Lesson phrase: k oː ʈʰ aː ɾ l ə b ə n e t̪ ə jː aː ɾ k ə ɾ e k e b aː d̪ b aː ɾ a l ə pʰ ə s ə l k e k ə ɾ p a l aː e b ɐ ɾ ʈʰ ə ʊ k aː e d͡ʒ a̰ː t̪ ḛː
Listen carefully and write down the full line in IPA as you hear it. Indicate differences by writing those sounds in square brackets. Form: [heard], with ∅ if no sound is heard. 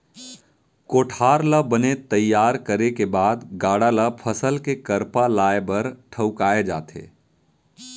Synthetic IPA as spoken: k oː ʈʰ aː ɾ l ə b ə n e t̪ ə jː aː ɾ k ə ɾ e k e b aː d̪ [ɡ] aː [ɽ] a l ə pʰ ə s ə l k e k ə ɾ p a l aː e b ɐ ɾ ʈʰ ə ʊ k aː e d͡ʒ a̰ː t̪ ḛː